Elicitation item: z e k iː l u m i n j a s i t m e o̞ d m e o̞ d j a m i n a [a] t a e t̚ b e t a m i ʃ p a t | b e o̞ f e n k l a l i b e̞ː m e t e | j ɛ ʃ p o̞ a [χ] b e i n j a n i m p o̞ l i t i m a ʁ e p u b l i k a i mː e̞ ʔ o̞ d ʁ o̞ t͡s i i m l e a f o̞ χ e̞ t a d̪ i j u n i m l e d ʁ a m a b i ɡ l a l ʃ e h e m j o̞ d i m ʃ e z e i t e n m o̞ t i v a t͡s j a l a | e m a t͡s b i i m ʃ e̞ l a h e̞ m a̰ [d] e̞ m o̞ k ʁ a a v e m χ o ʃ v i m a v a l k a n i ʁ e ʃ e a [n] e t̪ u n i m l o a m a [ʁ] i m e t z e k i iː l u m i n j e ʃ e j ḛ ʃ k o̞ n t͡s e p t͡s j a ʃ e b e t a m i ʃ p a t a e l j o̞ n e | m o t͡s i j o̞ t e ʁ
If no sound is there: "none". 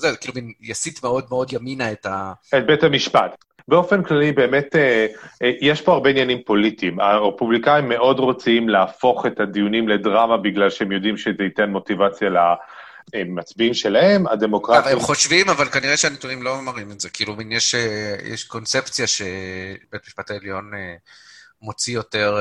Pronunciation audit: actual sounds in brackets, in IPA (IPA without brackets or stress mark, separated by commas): e, ʁ, d, n, ʁ